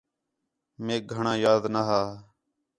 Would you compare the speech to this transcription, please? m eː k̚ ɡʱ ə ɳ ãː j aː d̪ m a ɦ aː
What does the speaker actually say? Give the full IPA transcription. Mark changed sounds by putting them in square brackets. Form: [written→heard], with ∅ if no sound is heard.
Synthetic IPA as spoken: m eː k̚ ɡʱ ə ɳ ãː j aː d̪ [m→n] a ɦ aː